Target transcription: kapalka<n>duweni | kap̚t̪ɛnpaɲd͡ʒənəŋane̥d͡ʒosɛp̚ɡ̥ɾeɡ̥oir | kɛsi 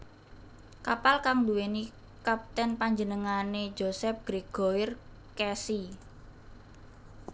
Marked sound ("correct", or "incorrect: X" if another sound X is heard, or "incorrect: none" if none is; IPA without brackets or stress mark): incorrect: ŋ